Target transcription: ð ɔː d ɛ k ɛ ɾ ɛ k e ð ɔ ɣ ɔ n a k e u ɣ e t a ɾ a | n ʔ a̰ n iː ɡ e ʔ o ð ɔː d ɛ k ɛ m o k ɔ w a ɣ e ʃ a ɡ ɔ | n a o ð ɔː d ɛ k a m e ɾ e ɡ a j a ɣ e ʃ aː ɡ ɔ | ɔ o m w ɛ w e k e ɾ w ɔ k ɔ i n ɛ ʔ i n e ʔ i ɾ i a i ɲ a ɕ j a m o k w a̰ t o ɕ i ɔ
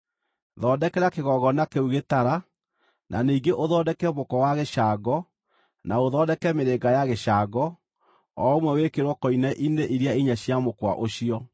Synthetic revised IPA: ð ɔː d ɛ k ɛ ɾ a k e ɣ ɔ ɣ ɔ n a k e u ɣ e t a ɾ a | n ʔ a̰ n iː ɡ e ʔ o ð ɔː d ɛ k ɛ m o k ɔ w a ɣ e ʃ a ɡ ɔ | n a o ð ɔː d ɛ k ɛ m e ɾ e ɡ a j a ɣ e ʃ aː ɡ ɔ | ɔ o m w ɛ w e k e ɾ w ɔ k ɔ i n ɛ ʔ i n e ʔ i ɾ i a i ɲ a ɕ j a m o k w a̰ ʔ o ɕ i ɔ